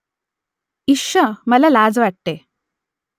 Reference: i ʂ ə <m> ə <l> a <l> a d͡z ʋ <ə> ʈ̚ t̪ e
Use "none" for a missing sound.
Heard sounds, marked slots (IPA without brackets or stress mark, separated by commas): m, l, l, a